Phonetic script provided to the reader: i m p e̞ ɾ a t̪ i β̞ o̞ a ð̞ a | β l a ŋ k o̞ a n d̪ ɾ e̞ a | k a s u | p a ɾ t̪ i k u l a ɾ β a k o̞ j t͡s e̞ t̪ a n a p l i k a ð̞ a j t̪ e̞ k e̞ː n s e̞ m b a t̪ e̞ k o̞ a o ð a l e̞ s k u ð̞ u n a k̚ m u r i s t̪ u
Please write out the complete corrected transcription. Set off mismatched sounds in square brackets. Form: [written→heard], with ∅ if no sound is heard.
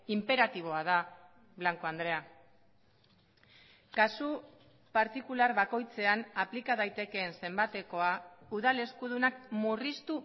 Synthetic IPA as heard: i m p e̞ ɾ a t̪ i β̞ o̞ a ð̞ a | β l a ŋ k o̞ a n d̪ ɾ e̞ a | k a s u | p a ɾ t̪ i k u l a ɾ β a k o̞ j t͡s e̞ [t̪→∅] a n a p l i k a ð̞ a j t̪ e̞ k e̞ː n s e̞ m b a t̪ e̞ k o̞ a [o→u] ð a l e̞ s k u ð̞ u n a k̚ m u r i s t̪ u